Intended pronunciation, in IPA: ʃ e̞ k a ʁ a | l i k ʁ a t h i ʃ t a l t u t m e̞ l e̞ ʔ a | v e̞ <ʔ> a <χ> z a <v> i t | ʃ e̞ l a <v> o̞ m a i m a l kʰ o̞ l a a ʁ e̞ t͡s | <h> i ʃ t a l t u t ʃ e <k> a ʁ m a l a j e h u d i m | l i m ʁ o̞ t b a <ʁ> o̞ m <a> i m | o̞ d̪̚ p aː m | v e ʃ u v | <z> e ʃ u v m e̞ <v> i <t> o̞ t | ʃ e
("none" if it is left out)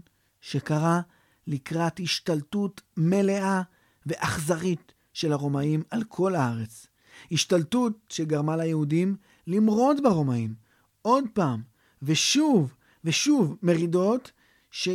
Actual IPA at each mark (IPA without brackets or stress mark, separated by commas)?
ʔ, χ, ʁ, ʁ, h, ɡ, ʁ, a, v, ʁ, d